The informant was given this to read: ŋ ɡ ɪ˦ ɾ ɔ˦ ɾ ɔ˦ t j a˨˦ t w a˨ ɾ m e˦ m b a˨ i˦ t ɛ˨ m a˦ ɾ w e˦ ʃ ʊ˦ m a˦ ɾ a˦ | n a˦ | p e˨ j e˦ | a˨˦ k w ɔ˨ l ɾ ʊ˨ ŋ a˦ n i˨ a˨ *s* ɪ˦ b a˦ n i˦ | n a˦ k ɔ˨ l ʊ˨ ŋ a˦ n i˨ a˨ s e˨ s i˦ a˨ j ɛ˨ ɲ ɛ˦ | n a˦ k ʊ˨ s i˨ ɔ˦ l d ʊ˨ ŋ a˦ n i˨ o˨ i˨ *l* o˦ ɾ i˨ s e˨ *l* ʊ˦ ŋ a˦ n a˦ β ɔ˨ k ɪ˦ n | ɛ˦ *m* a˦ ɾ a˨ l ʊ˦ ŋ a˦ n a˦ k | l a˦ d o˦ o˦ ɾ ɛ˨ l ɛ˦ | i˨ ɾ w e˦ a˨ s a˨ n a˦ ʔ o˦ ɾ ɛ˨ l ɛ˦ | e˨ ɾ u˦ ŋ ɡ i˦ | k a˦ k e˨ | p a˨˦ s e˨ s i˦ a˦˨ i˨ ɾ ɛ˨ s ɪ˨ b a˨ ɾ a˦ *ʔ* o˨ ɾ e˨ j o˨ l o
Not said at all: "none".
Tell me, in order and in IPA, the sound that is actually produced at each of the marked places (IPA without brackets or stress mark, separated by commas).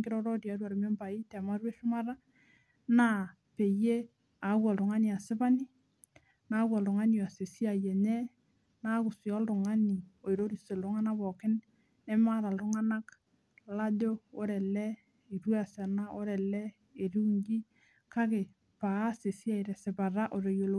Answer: s, ɾ, l, m, ʔ